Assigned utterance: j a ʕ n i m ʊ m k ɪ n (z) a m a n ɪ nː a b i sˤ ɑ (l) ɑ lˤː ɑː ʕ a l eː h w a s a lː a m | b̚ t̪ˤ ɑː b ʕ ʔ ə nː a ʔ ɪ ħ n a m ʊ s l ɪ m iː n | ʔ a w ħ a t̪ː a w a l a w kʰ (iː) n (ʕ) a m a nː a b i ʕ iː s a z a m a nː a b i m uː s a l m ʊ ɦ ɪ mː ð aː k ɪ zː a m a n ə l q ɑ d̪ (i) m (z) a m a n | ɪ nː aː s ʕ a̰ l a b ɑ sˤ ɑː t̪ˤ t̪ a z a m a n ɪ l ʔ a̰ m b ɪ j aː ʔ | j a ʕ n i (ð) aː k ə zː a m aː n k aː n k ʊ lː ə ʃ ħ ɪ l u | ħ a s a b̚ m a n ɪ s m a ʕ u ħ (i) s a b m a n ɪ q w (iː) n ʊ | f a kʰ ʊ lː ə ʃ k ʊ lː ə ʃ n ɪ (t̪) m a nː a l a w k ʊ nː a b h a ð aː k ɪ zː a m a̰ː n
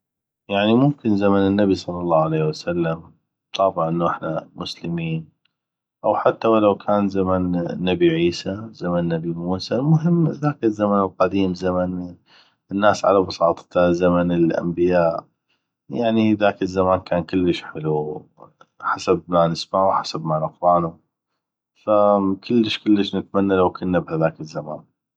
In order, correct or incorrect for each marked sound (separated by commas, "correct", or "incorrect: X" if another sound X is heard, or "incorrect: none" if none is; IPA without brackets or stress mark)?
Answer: correct, incorrect: lː, incorrect: aː, incorrect: z, incorrect: iː, correct, correct, incorrect: a, incorrect: aː, correct